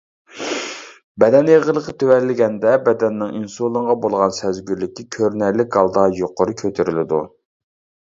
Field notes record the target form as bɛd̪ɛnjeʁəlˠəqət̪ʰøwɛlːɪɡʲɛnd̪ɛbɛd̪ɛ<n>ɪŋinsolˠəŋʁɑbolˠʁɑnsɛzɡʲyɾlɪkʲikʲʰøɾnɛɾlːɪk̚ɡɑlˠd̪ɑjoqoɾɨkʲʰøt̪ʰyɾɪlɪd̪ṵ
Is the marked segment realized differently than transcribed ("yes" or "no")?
yes